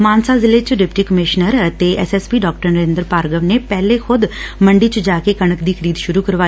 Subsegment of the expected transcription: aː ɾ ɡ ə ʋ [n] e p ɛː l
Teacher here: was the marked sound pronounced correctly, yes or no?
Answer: yes